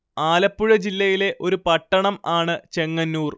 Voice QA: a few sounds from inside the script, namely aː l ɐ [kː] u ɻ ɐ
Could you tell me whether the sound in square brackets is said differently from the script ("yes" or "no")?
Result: yes